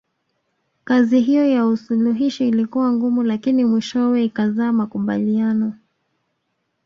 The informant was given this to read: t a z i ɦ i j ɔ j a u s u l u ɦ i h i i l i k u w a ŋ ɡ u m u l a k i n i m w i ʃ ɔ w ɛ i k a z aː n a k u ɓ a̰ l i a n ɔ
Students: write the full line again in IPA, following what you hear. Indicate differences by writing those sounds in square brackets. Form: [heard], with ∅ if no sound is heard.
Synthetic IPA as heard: [k] a z i ɦ i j ɔ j a u s u l u ɦ i [ʃ] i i l i k u w a ŋ ɡ u m u l a k i n i m w i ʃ ɔ w ɛ i k a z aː [m] a k u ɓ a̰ l i a n ɔ